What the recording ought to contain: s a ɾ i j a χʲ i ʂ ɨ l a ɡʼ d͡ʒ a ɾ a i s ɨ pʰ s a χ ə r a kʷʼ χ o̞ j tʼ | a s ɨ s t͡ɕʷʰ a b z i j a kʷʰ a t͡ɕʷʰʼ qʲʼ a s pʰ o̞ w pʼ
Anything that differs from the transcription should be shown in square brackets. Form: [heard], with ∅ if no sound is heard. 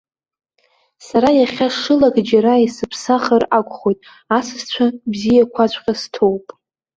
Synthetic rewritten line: s a ɾ [a] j a χʲ [a] ʂ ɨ l a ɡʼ d͡ʒ a ɾ a i s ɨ pʰ s a χ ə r a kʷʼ χ o̞ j tʼ | a s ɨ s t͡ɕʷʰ a b z i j a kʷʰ a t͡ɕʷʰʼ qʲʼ a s [tʰ] o̞ w pʼ